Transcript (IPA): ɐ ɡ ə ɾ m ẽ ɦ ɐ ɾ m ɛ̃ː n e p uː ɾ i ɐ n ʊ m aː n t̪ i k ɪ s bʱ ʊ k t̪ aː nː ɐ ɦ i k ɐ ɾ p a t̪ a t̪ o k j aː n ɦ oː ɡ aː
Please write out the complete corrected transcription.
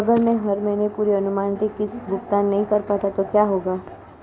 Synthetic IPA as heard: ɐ ɡ ə ɾ m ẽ ɦ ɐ ɾ m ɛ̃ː n e p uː ɾ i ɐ n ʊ m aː n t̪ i k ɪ s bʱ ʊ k t̪ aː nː ɐ ɦ ĩ k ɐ ɾ p a t̪ a t̪ o k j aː ɦ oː ɡ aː